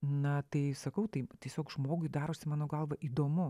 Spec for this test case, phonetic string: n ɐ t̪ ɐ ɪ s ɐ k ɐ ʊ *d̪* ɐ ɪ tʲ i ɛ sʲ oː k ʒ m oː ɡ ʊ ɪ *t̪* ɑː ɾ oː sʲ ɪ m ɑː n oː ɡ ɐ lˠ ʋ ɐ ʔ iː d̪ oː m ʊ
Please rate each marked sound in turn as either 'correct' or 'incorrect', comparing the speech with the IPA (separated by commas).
incorrect, incorrect